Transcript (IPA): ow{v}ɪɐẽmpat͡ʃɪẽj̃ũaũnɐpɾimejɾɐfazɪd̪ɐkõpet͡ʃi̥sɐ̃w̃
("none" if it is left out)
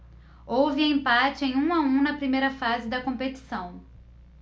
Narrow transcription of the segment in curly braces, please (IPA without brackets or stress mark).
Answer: v